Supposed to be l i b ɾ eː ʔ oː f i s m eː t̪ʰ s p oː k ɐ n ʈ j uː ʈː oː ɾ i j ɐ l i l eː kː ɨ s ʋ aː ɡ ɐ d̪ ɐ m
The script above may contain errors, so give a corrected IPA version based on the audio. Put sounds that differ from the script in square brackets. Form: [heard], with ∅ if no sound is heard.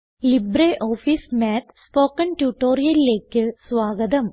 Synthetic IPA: l i b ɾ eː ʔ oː f i s m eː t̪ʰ s p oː k ɐ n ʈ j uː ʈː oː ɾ i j ɐ l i l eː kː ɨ s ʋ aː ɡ ɐ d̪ ɐ m